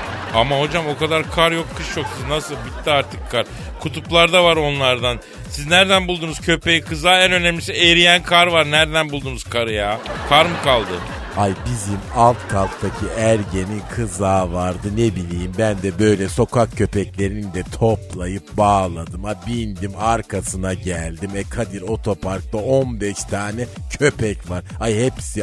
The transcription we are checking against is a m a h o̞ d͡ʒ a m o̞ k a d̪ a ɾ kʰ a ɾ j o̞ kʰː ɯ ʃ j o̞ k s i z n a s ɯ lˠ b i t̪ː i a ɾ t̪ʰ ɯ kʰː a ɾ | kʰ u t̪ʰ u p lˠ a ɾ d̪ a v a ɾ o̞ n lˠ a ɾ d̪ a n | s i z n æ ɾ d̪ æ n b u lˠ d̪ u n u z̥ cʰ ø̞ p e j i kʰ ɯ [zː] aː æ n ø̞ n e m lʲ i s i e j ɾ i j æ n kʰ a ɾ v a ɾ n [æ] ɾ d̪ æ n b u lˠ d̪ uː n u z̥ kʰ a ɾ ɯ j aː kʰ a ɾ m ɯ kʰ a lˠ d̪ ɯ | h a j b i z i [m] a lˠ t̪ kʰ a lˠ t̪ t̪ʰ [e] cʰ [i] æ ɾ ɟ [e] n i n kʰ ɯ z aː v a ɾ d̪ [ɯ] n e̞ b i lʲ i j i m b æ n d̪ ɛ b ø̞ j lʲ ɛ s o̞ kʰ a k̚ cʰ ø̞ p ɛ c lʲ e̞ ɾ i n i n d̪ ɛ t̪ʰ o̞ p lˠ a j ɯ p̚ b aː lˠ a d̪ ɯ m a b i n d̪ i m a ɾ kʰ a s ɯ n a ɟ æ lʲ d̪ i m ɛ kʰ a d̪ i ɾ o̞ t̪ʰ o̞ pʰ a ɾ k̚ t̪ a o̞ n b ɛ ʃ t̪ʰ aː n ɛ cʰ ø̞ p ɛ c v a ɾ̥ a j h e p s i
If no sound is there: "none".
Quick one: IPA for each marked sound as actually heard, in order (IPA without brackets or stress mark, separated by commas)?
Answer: z, æ, m, a, i, e, ɯ